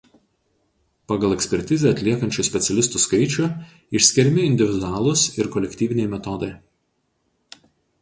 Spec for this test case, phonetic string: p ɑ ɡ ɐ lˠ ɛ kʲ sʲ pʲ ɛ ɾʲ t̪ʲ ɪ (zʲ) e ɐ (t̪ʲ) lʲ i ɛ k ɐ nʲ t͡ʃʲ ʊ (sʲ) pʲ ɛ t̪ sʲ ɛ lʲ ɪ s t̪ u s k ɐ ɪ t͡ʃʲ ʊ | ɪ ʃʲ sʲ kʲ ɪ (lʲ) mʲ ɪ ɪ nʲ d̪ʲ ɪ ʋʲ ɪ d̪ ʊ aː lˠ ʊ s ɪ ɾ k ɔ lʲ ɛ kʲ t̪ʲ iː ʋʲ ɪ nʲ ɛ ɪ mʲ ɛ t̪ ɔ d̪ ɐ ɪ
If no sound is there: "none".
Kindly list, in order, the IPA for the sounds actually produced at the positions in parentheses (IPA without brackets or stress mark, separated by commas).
zʲ, t̪ʲ, sʲ, ɾʲ